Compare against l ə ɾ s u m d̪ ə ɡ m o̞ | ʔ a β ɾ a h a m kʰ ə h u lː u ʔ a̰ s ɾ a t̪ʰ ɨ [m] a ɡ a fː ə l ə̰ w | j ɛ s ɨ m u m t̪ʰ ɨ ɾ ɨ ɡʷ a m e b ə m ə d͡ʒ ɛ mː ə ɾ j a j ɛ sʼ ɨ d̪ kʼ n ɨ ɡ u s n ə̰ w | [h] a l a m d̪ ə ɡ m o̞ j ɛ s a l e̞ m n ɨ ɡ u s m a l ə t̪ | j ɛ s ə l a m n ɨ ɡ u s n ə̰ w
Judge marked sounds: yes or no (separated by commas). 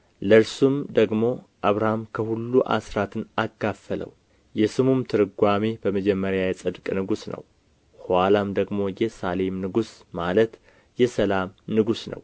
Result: no, yes